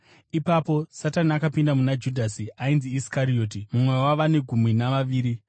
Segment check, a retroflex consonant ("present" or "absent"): absent